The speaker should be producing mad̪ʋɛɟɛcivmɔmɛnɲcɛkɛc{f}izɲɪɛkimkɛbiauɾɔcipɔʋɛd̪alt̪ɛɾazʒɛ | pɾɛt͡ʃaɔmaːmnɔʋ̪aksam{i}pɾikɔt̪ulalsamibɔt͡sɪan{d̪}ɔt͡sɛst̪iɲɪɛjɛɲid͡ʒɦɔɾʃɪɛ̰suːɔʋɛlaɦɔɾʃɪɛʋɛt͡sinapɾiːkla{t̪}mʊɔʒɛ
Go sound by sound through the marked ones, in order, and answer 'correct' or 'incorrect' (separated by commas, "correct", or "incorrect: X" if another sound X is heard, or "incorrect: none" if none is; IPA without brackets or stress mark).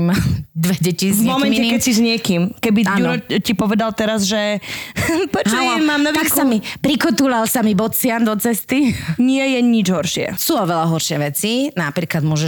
incorrect: s, correct, correct, incorrect: d̪